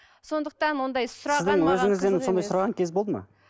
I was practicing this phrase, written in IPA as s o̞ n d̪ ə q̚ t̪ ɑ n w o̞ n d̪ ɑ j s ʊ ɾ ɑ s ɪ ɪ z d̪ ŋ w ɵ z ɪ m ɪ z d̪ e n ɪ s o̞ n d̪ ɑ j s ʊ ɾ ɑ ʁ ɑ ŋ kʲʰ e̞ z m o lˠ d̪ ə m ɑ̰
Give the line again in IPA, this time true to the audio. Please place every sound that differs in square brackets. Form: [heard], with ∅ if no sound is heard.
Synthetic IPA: s o̞ n d̪ ə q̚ t̪ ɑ n w o̞ n d̪ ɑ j s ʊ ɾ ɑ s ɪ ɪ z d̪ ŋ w ɵ z ɪ [ŋ] ɪ z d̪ e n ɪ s o̞ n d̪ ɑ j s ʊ ɾ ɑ ʁ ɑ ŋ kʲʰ e̞ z [b] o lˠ d̪ ə m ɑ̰